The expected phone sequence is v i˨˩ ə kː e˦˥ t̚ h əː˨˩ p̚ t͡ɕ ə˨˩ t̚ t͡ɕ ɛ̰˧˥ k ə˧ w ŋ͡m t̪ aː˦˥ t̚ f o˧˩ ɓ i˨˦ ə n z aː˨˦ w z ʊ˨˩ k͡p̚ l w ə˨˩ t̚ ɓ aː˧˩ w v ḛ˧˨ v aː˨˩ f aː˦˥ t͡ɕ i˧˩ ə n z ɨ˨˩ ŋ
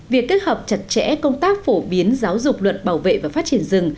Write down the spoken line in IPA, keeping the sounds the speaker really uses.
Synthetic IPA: v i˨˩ ə kː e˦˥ t̚ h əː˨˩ p̚ t͡ɕ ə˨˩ t̚ t͡ɕ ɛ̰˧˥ k ə˧ w ŋ͡m t̪ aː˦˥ k̚ f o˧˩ ɓ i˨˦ ə n z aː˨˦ w z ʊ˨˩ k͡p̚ l w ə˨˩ t̚ ɓ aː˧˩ w v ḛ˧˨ v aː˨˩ f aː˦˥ t͡ɕ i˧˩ ə n z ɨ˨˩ ŋ